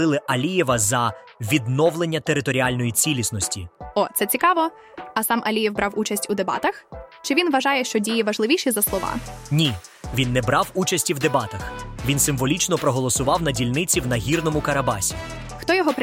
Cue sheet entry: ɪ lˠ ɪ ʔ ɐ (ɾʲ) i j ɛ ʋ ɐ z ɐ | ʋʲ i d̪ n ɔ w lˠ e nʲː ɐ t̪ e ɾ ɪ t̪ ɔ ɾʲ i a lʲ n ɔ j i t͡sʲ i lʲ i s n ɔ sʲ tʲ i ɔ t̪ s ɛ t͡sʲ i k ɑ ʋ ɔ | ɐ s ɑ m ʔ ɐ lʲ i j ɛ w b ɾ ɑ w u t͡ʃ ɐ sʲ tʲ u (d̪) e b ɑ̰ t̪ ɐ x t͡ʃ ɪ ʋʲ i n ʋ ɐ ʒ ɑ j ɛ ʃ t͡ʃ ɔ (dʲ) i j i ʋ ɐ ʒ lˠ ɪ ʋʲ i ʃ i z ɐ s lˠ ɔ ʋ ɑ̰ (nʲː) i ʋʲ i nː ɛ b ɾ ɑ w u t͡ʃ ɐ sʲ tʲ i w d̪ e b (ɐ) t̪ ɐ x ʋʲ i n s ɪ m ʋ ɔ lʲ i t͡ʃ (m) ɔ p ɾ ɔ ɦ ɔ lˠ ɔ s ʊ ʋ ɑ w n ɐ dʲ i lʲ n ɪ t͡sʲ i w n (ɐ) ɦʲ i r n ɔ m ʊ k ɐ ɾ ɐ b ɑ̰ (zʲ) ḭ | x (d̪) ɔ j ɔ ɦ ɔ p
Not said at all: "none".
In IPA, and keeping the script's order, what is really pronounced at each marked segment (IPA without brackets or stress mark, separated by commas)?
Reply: lʲ, d̪, dʲ, nʲ, ɑ, n, ɐ, sʲ, t̪